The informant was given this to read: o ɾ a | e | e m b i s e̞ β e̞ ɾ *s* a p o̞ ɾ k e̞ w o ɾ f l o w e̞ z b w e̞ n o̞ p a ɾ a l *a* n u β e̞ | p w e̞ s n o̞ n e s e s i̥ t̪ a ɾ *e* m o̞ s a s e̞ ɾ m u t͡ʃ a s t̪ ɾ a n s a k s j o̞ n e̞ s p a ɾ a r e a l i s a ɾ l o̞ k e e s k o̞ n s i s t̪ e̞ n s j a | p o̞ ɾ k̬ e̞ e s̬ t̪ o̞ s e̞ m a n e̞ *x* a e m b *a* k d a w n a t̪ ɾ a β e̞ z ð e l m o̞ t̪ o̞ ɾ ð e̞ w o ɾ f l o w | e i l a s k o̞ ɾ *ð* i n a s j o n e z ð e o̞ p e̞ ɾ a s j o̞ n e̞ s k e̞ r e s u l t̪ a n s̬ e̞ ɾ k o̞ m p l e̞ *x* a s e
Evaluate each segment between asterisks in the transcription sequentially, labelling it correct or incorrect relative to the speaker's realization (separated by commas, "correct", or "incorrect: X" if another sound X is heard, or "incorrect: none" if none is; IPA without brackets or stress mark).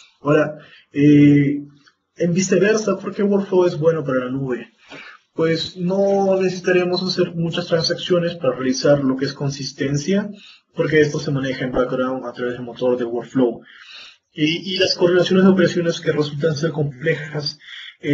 correct, correct, correct, correct, correct, correct, correct